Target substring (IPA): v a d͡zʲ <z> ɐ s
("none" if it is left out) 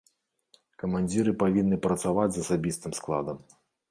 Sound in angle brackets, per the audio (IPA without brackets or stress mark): z